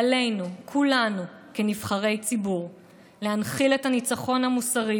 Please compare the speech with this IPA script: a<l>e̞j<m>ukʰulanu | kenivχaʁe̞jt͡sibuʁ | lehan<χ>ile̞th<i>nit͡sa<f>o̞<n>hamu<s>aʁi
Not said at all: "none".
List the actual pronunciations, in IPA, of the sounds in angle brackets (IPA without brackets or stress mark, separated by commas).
l, n, χ, a, χ, n, s